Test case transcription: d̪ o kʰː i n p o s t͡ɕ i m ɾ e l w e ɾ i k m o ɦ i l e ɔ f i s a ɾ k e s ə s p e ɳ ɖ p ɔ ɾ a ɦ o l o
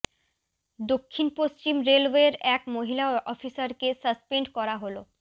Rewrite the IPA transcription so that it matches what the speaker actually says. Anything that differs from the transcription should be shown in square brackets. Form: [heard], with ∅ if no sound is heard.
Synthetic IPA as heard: d̪ o kʰː i n p o s t͡ɕ i m ɾ e l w e ɾ [ɛ] k m o ɦ i l [a] ɔ f i s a ɾ k e s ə s p e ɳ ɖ [k] ɔ ɾ a ɦ o l o